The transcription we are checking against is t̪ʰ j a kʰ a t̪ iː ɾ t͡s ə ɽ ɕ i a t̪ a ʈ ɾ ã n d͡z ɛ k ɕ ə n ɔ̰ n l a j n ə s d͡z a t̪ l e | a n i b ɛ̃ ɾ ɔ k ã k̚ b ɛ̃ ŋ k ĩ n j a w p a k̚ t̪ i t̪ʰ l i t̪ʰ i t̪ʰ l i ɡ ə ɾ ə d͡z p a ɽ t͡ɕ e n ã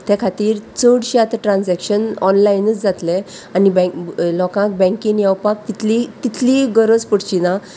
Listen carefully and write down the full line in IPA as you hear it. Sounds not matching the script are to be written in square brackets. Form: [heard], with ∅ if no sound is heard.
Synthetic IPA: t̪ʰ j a kʰ a t̪ iː ɾ t͡s ə ɽ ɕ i a t̪ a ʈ ɾ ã n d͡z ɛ k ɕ ə n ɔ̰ n l a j n ə [t͡s] d͡z a t̪ l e | a n i b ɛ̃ [l] ɔ k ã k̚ b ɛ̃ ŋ k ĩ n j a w p a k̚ t̪ i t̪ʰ l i [t̪] i t̪ʰ l i ɡ ə ɾ ə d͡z p [ə] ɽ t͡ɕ [i] n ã

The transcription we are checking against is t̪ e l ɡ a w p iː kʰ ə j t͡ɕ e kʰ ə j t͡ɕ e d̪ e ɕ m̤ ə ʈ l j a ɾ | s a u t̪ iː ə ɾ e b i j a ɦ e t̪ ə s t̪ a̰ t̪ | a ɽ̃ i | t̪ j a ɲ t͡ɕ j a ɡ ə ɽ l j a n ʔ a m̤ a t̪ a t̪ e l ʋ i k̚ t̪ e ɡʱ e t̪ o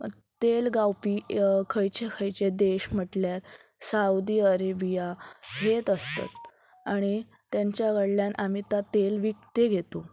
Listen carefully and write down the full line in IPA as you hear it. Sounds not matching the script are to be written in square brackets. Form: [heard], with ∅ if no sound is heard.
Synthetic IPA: t̪ e l ɡ a w p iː kʰ ə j t͡ɕ e kʰ ə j t͡ɕ e d̪ e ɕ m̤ ə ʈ l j a ɾ | s a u [d̪] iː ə ɾ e b i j a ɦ e t̪ ə s t̪ a̰ t̪ | a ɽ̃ i | t̪ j a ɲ t͡ɕ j a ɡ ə ɽ l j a n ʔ a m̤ [i] t̪ a t̪ e l ʋ i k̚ t̪ e ɡʱ e t̪ o

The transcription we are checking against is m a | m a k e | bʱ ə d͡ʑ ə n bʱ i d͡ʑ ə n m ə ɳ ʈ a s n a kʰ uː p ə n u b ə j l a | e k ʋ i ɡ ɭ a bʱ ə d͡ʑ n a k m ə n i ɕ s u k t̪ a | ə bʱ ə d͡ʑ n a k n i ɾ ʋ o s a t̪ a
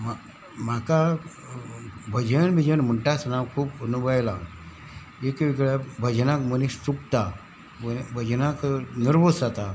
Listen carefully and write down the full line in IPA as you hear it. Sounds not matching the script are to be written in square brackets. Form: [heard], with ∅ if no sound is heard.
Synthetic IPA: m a | m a k [a] | bʱ ə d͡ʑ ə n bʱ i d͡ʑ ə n m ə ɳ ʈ a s n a kʰ uː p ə n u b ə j l a | e k ʋ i ɡ ɭ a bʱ ə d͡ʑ n a k m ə n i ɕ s u k t̪ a | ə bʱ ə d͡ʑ n a k n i ɾ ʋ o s a t̪ a

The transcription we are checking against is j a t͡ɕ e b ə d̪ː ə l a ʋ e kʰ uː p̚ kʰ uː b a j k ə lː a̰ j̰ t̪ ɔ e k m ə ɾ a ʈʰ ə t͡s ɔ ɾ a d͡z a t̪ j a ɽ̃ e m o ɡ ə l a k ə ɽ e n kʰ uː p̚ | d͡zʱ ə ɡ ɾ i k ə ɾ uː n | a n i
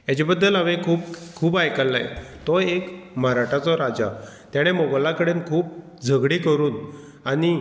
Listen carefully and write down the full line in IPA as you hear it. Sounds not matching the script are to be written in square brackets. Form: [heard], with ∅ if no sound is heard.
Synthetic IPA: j a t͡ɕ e b ə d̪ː ə l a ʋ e kʰ uː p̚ kʰ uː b a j k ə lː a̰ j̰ t̪ ɔ e k m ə ɾ a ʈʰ [a] t͡s ɔ ɾ a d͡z a t̪ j a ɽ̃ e m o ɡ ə l a k ə ɽ e n kʰ uː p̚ | d͡zʱ ə ɡ [ɽ] i k ə ɾ uː n | a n i

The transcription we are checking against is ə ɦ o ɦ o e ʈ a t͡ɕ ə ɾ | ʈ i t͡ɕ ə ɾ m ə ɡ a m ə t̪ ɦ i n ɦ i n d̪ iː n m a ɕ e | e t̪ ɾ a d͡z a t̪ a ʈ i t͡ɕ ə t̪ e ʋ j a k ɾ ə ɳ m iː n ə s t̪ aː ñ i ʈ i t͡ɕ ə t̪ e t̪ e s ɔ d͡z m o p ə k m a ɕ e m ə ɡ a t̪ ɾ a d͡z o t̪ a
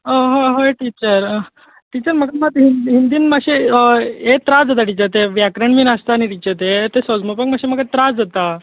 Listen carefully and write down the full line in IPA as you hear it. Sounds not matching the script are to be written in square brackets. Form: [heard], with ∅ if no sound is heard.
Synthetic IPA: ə ɦ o ɦ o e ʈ [i] t͡ɕ ə ɾ | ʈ i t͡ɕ ə ɾ m ə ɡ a m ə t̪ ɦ i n ɦ i n d̪ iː n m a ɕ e | e t̪ ɾ a d͡z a t̪ a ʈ i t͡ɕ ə t̪ e ʋ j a k ɾ ə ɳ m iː n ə s t̪ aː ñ i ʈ i t͡ɕ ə t̪ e t̪ e s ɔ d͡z m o p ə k m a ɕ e m ə ɡ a t̪ ɾ a d͡z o t̪ a

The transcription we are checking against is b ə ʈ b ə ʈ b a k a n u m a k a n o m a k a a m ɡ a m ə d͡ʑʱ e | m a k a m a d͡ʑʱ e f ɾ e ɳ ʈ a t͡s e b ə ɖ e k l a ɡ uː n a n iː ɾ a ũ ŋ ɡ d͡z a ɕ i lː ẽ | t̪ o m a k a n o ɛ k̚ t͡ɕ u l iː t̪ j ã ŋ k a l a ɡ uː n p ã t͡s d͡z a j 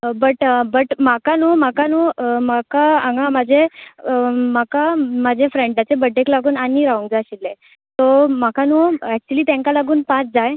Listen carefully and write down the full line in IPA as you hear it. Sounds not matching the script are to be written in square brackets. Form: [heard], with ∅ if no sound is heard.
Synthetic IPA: b ə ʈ b ə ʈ [m] a k a n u m a k a n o m a k a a [ŋ] ɡ a m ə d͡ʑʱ e | m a k a m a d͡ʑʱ e f ɾ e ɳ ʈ a t͡s e b ə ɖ e k l a ɡ uː n a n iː ɾ a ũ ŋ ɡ d͡z a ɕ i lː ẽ | t̪ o m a k a n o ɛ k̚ t͡ɕ u l iː t̪ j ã ŋ k a l a ɡ uː n p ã t͡s d͡z a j

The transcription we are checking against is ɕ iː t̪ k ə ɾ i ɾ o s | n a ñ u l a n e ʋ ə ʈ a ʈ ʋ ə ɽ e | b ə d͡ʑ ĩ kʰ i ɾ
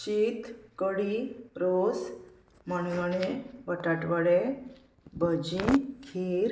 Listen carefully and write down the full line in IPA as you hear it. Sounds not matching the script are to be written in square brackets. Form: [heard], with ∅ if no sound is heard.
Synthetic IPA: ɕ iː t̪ k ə [ɽ] i ɾ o s | [m] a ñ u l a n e ʋ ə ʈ a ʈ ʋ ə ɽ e | b ə d͡ʑ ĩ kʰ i ɾ

